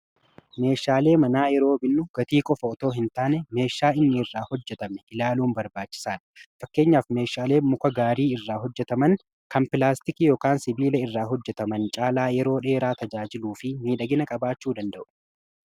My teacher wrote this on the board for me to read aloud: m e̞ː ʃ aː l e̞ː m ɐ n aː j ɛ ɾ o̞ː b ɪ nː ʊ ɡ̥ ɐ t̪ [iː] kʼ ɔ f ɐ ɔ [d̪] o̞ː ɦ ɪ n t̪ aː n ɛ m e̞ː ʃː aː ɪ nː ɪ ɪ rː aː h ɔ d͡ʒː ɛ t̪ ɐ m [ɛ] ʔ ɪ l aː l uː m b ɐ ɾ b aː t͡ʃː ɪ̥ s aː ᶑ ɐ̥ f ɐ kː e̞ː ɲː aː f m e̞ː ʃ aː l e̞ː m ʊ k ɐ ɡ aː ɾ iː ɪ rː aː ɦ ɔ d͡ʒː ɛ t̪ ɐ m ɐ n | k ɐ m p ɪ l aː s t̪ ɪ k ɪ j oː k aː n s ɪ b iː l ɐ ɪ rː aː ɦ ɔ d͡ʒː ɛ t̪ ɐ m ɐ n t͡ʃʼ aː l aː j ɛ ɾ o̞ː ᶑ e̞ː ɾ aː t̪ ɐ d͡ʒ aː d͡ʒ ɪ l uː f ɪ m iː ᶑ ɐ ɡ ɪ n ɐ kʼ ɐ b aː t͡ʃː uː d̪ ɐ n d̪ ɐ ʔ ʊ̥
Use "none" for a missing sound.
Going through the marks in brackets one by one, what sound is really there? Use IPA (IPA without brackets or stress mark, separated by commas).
iː, t̪, ɛ